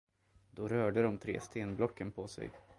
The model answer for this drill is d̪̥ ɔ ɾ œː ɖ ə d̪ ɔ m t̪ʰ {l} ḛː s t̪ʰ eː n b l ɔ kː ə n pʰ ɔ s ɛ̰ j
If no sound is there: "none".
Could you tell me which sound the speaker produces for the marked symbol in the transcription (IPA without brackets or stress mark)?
ɾ